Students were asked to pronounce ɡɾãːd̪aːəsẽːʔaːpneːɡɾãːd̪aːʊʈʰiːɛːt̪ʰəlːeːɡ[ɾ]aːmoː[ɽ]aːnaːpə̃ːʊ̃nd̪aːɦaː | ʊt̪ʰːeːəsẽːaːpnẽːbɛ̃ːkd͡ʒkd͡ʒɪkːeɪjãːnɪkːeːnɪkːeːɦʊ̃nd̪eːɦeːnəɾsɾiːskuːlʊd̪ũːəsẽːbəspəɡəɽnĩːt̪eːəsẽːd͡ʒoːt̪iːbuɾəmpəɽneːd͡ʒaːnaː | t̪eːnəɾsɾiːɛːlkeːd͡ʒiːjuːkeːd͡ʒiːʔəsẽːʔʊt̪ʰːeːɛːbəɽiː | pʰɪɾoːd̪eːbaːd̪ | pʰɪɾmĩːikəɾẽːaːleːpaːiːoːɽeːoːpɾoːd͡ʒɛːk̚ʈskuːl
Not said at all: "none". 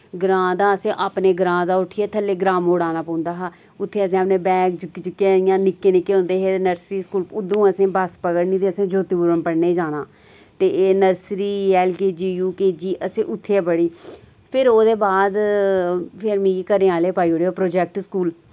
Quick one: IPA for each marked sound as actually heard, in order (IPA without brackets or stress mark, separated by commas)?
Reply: ɾ, ɽ